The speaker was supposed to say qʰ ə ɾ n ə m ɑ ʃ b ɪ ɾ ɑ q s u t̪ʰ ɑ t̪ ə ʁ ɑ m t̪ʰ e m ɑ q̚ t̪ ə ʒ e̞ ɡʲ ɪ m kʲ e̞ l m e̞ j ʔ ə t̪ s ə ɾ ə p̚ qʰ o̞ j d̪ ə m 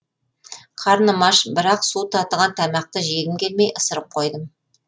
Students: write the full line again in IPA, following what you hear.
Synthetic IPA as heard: qʰ ɑ ɾ n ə m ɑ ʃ b ɪ ɾ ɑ q s u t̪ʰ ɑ t̪ ə ʁ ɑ n t̪ʰ æ m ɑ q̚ t̪ ə ʒ e̞ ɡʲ ɪ m kʲ e̞ l m e̞ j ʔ ə s ə ɾ ə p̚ qʰ o̞ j d̪ ə m